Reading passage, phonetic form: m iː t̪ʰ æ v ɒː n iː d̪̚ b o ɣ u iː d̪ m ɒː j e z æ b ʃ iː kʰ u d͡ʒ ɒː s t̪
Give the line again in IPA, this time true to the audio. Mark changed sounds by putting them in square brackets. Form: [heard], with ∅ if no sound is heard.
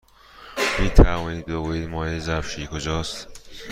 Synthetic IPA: m iː t̪ʰ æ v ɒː n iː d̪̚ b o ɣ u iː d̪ m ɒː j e z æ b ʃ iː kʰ [o] d͡ʒ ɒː s t̪